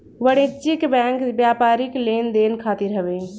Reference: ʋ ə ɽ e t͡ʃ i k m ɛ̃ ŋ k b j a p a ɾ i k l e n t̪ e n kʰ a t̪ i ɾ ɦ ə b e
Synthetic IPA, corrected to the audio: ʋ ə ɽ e t͡ʃ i k b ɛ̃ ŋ k b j a p a ɾ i k l e n d̪ e n kʰ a t̪ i ɾ ɦ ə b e

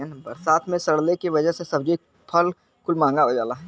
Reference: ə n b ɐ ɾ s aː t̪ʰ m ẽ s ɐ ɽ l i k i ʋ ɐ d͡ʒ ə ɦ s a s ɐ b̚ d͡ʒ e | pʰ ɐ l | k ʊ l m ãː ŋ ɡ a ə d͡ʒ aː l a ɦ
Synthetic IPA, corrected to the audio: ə n b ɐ ɾ s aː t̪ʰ m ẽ s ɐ ɽ l e k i ʋ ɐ d͡ʒ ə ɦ s e s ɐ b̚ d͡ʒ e | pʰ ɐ l | k ʊ l m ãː ŋ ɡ a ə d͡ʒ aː l a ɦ

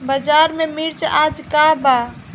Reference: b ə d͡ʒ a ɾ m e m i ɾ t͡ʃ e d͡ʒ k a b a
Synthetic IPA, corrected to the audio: b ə d͡ʒ a ɾ m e m i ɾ t͡ʃ a d͡ʒ k a b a

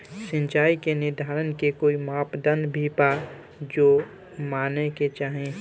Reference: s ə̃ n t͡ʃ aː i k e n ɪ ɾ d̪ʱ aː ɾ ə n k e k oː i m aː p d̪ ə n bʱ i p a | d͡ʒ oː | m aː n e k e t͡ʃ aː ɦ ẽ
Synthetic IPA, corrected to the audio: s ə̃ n t͡ʃ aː i k e n ɪ ɾ d̪ʱ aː ɾ ə n k e k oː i m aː p d̪ ə n bʱ i p a | d͡ʒ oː | m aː n e k e t͡ʃ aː ɦ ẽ

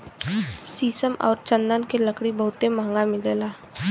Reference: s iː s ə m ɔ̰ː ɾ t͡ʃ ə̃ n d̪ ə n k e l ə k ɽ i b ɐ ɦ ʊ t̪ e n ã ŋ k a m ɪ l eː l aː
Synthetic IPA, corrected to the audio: s iː s ə m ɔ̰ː ɾ t͡ʃ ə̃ n d̪ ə n k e l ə k ɽ i b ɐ ɦ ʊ t̪ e m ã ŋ ɡ a m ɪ l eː l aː

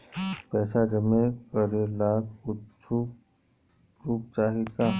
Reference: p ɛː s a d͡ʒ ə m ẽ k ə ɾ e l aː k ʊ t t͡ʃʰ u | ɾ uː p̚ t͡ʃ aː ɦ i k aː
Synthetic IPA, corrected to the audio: p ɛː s a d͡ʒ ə m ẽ k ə ɾ e l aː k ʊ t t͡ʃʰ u | ɾ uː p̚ t͡ʃ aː ɦ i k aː

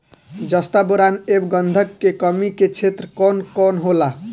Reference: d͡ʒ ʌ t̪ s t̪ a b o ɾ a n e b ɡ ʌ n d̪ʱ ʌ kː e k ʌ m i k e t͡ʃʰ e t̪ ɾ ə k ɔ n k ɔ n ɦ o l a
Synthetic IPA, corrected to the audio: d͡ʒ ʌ s t̪ a b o ɾ a n e b ɡ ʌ n d̪ʱ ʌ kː e k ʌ m i k e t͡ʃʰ e t̪ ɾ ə k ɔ n k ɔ n ɦ o l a

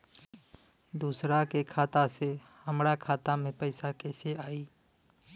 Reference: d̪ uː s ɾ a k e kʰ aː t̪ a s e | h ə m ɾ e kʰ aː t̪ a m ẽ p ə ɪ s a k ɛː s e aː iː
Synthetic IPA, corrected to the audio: d̪ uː s ɾ a k e kʰ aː t̪ a s e | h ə m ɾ a kʰ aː t̪ a m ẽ p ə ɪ s a k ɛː s e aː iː

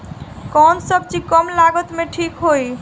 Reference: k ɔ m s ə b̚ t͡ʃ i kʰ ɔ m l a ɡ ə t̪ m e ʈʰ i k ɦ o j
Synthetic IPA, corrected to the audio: k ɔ n s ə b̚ t͡ʃ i k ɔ m l a ɡ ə t̪ m e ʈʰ i k ɦ o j

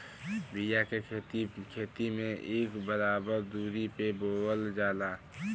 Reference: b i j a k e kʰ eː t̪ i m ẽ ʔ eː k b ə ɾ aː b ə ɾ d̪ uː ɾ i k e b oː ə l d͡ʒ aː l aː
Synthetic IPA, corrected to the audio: b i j a k e kʰ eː t̪ i m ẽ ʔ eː k b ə ɾ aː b ə ɾ d̪ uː ɾ i p e b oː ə l d͡ʒ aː l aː

